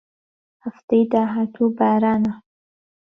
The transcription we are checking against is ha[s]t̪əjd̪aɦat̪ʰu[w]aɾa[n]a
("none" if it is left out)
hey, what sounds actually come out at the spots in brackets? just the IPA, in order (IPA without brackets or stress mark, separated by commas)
f, b, n